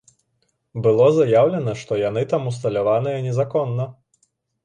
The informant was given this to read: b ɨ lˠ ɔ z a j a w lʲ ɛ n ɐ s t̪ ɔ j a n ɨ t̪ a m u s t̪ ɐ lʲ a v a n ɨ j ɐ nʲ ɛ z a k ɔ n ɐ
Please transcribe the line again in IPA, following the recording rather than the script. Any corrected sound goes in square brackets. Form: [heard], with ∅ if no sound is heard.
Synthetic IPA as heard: b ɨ lˠ ɔ z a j a w lʲ ɛ n ɐ [ʂ] t̪ ɔ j a n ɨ t̪ a m u s t̪ ɐ lʲ a v a n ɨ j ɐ nʲ ɛ z a k ɔ [nː] ɐ